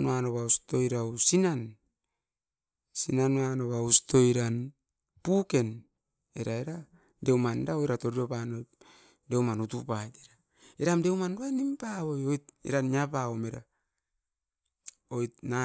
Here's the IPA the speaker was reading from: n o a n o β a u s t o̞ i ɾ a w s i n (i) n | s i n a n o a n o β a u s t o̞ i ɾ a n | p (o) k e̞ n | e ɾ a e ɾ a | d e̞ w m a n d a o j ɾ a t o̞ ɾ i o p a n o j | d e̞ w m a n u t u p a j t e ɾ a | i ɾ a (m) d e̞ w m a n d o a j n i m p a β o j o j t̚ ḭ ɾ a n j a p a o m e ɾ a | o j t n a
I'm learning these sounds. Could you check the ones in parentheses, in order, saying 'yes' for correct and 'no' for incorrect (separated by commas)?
no, no, yes